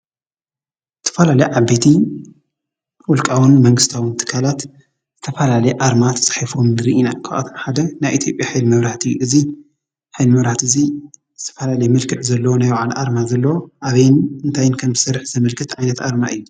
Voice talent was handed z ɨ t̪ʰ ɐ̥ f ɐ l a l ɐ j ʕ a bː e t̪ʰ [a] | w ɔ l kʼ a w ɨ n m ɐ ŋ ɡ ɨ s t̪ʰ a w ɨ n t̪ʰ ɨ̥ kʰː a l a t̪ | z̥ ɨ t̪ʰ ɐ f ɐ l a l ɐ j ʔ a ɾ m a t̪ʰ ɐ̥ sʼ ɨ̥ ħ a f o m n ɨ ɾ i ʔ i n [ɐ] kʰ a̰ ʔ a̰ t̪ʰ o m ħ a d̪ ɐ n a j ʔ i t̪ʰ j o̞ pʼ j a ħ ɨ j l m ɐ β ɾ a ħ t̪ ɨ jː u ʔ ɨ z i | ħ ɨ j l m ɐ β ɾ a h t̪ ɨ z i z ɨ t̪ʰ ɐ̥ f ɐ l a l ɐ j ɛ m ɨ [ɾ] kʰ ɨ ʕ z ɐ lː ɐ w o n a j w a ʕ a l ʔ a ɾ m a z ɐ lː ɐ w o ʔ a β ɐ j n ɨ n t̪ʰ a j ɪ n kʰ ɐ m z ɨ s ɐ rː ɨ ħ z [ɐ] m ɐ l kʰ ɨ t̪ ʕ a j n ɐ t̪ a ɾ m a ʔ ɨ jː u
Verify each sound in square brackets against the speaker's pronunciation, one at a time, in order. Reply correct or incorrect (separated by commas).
incorrect, incorrect, incorrect, correct